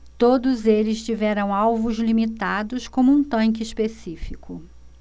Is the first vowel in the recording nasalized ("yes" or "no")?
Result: no